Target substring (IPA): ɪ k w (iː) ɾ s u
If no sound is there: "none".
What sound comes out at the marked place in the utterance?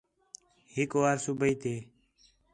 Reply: aː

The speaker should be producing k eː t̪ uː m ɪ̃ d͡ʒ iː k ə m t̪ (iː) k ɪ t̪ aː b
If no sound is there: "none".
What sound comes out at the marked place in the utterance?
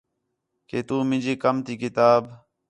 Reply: iː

